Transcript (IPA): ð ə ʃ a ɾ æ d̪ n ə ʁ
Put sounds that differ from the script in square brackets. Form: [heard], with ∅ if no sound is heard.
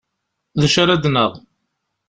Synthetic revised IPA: ð ə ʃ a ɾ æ d̪ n ə ʁ